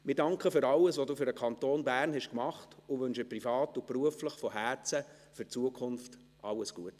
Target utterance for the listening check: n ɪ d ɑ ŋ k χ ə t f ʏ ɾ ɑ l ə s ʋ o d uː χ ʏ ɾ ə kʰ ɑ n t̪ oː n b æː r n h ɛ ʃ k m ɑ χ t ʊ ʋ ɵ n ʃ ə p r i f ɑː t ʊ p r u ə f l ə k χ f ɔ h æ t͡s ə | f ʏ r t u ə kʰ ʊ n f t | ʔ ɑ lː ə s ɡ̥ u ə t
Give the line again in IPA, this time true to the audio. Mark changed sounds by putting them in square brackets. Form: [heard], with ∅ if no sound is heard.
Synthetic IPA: [m] ɪ d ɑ ŋ k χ ə [∅] f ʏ ɾ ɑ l ə s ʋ o d uː [f] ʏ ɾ ə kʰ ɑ n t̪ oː n b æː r n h ɛ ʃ k m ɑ χ t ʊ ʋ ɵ n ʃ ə p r i f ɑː t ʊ p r u ə f l ə [∅] χ f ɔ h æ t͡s ə | f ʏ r [t͡s] u ə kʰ ʊ n f t | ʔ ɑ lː ə s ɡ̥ u ə t